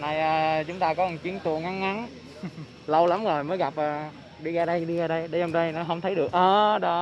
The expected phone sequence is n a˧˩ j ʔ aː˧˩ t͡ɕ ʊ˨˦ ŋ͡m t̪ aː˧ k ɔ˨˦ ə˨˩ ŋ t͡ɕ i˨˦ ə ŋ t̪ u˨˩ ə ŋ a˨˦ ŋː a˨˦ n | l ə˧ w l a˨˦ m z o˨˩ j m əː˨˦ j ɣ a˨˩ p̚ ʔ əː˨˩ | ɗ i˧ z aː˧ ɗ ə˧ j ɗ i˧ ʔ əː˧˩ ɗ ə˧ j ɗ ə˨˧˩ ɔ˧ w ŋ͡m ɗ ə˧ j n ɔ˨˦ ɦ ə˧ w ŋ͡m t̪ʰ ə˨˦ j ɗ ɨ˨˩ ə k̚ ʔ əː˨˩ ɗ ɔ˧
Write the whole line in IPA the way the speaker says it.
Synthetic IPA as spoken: n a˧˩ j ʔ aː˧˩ t͡ɕ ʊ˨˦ ŋ͡m t̪ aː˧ k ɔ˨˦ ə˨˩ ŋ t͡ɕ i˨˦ ə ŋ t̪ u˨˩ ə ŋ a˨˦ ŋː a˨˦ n | l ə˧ w l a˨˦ m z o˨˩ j m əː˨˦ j ɣ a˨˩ p̚ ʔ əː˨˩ | ɗ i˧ ɣ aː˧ ɗ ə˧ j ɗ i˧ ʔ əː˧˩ ɗ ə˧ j ɗ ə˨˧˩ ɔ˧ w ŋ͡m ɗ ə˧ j n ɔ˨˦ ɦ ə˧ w ŋ͡m t̪ʰ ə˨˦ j ɗ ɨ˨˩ ə k̚ ʔ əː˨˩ ɗ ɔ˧